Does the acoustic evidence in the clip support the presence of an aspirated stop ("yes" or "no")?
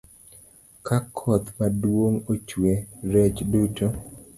yes